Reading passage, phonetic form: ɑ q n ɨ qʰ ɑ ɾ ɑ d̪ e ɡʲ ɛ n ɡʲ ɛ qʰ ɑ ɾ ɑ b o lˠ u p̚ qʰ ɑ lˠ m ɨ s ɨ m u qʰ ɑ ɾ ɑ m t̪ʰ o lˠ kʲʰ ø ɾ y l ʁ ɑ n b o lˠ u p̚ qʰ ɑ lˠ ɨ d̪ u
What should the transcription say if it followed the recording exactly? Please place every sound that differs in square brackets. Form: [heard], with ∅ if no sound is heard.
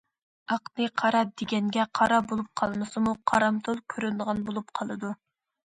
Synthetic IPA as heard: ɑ q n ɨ qʰ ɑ ɾ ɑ d̪ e ɡʲ ɛ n ɡʲ ɛ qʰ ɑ ɾ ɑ b o lˠ u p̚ qʰ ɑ lˠ m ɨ s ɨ m u qʰ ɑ ɾ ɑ m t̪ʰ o lˠ kʲʰ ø ɾ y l ʁ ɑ n b o lˠ u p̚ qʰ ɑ lˠ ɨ d̪ u